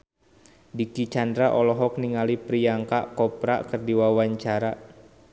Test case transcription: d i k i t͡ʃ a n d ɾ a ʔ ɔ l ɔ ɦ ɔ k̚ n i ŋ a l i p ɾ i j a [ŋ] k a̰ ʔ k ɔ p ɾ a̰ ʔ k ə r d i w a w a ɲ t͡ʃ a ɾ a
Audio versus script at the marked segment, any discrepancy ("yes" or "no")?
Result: no